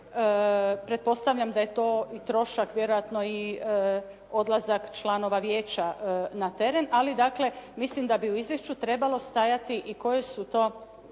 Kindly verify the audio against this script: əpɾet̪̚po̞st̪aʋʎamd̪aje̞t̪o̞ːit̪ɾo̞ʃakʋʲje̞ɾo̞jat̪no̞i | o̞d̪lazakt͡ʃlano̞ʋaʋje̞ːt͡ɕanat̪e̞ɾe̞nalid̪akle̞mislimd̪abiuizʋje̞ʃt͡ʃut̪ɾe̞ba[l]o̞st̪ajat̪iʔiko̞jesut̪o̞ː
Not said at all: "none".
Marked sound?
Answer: l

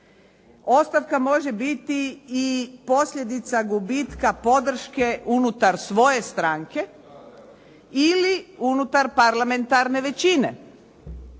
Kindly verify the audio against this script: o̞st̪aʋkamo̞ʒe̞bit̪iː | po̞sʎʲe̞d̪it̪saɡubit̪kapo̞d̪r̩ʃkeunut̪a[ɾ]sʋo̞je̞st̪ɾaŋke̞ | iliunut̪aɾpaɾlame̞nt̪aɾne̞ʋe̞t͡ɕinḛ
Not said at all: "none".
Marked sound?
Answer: ɾ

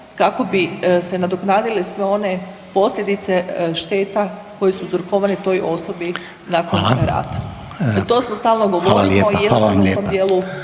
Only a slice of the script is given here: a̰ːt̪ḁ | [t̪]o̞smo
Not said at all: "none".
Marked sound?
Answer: t̪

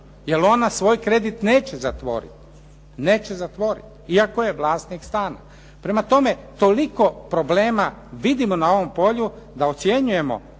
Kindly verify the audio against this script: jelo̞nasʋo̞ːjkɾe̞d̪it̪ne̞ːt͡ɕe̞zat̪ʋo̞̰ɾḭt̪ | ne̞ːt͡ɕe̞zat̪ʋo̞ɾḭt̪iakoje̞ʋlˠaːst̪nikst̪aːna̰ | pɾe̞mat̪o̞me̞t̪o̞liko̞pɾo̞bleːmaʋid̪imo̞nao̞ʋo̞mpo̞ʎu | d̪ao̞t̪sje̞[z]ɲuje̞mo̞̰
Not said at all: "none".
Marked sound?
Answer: none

